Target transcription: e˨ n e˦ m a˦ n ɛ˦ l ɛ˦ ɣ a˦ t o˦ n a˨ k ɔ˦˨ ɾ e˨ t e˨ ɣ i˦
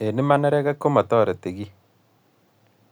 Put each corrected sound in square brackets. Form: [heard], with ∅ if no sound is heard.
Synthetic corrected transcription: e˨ n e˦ m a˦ n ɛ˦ [ɾ] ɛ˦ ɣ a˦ [k] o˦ [m] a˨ [t] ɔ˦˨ ɾ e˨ t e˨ ɣ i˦